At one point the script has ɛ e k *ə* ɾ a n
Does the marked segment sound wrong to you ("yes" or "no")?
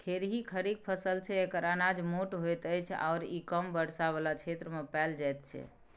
no